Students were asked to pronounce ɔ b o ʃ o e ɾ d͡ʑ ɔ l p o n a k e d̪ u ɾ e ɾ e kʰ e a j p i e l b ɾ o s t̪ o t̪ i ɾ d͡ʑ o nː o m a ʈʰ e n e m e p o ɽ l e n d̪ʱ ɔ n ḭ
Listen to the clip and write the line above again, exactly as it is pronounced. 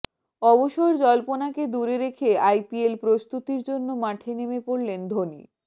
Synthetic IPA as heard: ɔ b o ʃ o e ɾ d͡ʑ ɔ l p o n a k e d̪ u ɾ e ɾ e kʰ e a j p i e l p ɾ o s t̪ u t̪ i ɾ d͡ʑ o nː o m a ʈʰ e n e m e p o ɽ l e n d̪ʱ o n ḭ